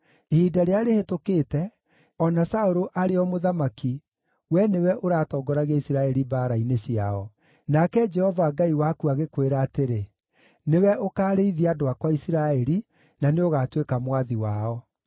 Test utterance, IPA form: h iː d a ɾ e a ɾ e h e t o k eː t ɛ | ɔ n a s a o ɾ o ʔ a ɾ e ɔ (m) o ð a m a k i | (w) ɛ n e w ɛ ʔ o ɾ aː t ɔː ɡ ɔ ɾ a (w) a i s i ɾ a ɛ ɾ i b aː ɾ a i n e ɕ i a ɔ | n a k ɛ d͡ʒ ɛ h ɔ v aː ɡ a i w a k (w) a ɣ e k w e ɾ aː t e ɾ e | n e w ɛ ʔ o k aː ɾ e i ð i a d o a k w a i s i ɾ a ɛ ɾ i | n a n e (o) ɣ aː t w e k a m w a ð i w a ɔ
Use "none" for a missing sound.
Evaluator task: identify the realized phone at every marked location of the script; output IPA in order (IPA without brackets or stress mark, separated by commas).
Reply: m, w, ɣ, u, o